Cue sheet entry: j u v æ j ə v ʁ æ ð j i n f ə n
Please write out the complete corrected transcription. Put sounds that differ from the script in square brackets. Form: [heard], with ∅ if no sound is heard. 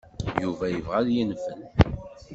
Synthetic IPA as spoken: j u v æ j ə v ʁ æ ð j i n f ə n